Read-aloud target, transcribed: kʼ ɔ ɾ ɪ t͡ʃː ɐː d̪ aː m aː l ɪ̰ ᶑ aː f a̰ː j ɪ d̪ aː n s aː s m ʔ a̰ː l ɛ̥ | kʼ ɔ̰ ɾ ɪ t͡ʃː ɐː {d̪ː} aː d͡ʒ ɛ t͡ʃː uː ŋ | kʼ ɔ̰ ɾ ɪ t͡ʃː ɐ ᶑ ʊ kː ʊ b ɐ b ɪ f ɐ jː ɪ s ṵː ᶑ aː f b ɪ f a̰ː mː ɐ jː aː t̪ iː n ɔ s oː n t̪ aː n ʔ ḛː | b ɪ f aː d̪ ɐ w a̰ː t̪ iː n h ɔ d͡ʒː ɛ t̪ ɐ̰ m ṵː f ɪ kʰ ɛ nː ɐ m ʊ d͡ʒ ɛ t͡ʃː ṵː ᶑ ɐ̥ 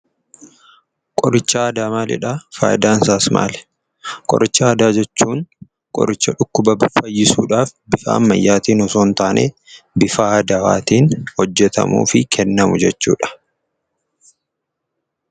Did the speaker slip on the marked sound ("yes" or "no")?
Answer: yes